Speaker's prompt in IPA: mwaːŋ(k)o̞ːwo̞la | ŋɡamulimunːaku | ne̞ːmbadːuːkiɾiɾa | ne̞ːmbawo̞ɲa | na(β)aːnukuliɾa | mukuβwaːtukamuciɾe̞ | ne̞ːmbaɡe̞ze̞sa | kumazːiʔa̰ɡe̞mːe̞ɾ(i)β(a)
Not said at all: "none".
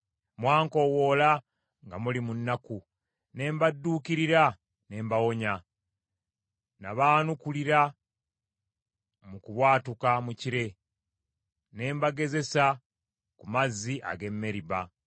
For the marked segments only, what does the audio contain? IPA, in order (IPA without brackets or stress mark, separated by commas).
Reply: k, β, i, a